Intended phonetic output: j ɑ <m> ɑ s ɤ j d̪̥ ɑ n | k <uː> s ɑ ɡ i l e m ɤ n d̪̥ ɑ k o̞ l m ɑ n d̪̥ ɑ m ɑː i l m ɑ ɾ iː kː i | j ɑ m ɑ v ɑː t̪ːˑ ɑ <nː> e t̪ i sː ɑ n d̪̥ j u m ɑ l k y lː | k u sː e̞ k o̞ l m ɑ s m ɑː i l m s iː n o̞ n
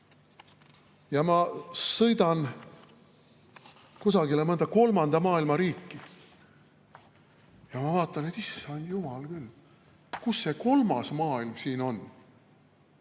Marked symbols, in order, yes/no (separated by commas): yes, no, no